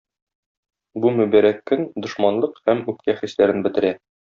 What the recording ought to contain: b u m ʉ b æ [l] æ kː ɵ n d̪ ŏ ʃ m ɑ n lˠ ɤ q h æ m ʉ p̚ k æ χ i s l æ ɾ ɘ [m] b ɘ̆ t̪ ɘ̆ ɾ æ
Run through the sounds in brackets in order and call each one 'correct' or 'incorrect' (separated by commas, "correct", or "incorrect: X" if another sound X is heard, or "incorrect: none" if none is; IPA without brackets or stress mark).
incorrect: ɾ, incorrect: n